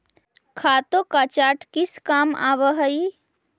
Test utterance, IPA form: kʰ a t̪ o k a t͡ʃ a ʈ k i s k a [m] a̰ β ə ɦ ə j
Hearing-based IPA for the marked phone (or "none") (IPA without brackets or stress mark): m